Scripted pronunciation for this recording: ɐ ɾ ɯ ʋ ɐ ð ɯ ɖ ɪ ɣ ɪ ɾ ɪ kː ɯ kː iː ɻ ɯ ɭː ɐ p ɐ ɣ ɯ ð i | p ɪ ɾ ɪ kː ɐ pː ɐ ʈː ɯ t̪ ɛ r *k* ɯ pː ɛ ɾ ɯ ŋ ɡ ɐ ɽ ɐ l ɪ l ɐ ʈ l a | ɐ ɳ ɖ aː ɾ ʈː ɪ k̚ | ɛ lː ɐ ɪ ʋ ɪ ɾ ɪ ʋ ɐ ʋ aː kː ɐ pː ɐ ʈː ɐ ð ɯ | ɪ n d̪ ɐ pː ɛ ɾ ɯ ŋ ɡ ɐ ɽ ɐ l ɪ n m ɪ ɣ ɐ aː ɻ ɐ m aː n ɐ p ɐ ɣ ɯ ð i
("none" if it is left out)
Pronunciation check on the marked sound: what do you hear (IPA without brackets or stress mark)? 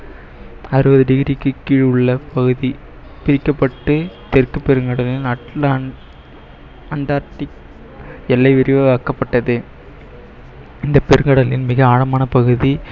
k